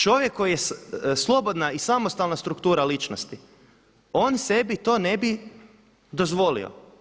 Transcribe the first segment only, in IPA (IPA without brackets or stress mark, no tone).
t͡ʃ